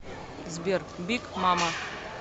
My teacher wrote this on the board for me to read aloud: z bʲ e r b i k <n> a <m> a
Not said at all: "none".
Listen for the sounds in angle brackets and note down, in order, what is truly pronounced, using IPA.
m, m

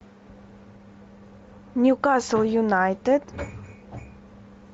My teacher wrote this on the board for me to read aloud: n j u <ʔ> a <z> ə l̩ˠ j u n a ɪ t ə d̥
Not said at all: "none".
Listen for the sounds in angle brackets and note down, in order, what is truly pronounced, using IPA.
k, s

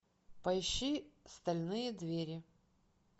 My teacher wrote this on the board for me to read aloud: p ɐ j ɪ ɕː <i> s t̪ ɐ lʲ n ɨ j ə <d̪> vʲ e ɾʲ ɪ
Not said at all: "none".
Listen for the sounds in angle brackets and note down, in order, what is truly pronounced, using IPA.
i, d̪

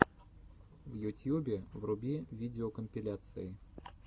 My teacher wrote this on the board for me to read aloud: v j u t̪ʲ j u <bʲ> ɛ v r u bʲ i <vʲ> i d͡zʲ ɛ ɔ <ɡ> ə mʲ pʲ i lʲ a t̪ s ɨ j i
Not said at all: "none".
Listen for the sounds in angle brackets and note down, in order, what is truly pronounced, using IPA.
bʲ, vʲ, k

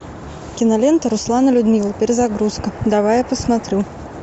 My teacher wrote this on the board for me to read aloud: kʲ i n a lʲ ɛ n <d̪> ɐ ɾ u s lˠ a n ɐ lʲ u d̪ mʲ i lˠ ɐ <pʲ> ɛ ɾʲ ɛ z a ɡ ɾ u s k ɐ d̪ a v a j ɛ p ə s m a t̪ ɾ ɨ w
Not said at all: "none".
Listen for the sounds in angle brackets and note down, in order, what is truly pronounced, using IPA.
t̪, pʲ

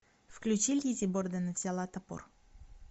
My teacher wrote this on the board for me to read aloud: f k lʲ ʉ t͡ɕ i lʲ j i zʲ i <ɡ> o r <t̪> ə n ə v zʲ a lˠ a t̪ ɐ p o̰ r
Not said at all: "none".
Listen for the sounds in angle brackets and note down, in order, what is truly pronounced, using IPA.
b, d̪

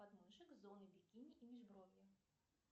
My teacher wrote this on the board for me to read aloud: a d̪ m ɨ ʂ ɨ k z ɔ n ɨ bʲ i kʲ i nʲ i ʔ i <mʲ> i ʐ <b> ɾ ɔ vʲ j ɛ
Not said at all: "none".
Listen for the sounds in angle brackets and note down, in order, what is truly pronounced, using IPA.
mʲ, b

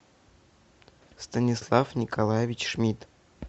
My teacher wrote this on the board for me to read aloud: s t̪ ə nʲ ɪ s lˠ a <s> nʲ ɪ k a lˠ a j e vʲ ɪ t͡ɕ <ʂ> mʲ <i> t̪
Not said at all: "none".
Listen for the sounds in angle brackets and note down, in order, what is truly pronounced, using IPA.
f, ʂ, i

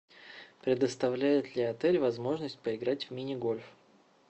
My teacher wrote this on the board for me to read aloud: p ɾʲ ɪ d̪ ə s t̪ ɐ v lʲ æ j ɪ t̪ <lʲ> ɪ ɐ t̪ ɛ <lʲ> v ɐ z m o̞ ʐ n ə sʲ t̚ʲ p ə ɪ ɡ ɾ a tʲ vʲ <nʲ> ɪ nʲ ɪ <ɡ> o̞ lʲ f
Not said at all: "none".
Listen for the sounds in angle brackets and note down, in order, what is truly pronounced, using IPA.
lʲ, lʲ, mʲ, ɡ

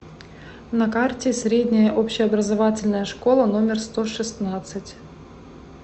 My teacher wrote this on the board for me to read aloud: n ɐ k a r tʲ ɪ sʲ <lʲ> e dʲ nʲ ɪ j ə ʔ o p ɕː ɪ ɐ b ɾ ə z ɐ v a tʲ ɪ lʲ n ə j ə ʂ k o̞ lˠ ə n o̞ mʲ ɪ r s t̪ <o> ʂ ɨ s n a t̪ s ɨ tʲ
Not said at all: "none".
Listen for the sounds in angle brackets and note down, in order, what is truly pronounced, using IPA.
ɾʲ, o

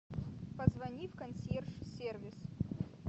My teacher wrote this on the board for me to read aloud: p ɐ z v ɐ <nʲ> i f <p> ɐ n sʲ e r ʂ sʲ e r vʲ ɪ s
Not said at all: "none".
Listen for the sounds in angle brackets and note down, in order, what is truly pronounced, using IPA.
nʲ, k

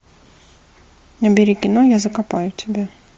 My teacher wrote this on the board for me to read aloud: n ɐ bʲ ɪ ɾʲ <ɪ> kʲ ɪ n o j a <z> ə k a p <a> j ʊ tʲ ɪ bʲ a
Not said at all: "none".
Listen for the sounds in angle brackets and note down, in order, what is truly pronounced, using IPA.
i, z, a

